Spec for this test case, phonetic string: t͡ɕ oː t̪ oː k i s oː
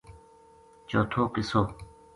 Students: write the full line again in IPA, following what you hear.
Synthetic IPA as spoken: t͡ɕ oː t̪ʰ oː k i s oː